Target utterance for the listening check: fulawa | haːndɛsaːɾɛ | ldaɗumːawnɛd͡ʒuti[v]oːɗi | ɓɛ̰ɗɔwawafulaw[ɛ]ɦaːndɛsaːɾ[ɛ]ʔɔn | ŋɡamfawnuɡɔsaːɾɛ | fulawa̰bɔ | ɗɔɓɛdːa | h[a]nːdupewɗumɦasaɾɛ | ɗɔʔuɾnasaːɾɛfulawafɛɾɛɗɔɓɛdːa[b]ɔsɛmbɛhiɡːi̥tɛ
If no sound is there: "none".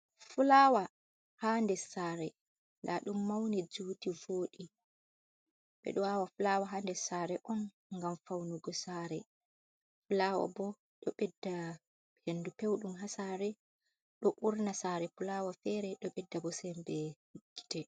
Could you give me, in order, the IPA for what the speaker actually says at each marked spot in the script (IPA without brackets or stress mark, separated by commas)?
v, a, ɛ, e, b